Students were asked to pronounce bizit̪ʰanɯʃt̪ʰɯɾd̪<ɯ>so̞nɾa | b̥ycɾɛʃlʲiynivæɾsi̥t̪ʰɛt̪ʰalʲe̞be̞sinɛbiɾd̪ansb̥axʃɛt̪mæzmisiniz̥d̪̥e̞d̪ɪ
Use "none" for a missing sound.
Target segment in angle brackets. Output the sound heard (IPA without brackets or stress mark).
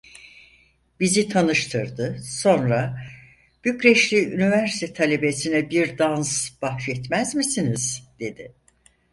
ɯ